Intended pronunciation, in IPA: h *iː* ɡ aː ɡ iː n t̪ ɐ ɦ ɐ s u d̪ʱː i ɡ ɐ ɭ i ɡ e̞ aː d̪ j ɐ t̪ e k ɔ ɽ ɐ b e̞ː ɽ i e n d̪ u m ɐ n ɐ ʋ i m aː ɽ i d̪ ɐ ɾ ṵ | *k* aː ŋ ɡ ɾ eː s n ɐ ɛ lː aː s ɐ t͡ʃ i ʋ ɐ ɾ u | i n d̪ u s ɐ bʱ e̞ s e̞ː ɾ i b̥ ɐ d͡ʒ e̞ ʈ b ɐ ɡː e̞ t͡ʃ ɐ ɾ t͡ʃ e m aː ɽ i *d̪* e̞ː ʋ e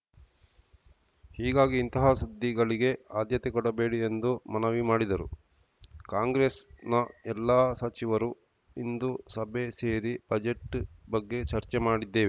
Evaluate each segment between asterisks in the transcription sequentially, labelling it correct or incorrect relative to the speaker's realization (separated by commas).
correct, correct, incorrect